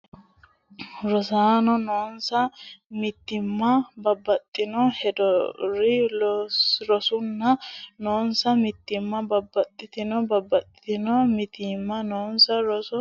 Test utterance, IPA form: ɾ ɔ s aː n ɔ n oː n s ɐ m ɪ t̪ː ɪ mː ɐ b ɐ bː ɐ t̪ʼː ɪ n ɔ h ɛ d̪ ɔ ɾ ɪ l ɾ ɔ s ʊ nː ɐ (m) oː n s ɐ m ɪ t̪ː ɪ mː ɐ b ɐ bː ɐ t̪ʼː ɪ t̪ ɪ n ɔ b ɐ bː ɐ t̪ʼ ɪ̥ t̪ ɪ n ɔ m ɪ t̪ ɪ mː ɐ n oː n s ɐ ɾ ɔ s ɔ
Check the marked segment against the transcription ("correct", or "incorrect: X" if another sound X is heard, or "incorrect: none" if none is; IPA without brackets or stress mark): incorrect: n